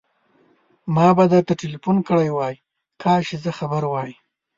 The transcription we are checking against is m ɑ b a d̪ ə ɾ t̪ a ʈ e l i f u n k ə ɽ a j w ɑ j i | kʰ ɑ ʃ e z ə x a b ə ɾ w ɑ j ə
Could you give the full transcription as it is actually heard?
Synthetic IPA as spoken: m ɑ b a d̪ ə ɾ t̪ a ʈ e l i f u n k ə ɽ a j w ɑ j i | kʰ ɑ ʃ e z ə x a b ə ɾ w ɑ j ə